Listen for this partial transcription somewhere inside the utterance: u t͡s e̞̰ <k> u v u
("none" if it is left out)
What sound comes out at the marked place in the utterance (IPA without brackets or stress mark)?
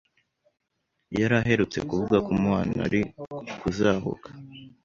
k